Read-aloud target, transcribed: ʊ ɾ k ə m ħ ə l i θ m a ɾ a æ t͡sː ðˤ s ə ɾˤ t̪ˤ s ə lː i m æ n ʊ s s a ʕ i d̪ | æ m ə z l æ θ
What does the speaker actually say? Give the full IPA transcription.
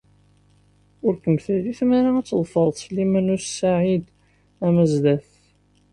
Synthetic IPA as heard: ʊ ɾ k ə m θ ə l i θ m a ɾ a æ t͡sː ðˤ f ə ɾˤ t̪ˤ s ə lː i m æ n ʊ s s a ʕ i d̪ | æ m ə z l æ θ